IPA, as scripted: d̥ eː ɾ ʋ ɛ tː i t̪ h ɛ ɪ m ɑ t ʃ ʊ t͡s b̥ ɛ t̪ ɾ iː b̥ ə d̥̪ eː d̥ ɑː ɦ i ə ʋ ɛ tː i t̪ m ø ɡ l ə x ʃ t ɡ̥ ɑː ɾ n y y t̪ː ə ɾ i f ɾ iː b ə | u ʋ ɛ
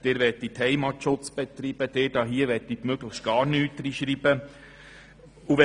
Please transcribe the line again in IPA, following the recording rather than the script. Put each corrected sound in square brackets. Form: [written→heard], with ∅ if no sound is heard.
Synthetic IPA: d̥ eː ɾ ʋ ɛ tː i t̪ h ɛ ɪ m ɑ t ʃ ʊ t͡s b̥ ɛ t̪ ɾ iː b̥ ə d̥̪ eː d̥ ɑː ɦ i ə ʋ ɛ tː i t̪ m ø ɡ l ə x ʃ t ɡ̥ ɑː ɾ n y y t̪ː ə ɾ i [f→ʃ] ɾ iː b ə | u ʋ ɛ